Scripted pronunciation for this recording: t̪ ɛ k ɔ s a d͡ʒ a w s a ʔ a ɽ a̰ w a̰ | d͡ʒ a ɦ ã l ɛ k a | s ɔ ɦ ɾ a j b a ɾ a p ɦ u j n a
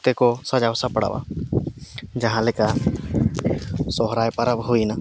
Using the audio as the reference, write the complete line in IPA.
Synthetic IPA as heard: t̪ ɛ k ɔ s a d͡ʒ a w s a p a ɽ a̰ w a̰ | d͡ʒ a ɦ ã l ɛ k a | s ɔ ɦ ɾ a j p a ɾ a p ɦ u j n a